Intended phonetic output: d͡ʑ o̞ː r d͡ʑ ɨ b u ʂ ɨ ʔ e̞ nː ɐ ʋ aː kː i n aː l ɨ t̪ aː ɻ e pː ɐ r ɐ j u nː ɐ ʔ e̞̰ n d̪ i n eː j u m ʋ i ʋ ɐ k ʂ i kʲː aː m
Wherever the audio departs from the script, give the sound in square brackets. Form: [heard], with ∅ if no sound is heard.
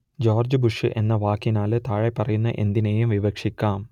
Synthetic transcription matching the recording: d͡ʑ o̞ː r d͡ʑ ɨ b u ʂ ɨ ʔ e̞ nː ɐ ʋ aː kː i n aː l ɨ t̪ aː ɻ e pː ɐ r ɐ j u nː ɐ ʔ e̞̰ n d̪ i n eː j u m ʋ i ʋ ɐ k ʂ i kʲː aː m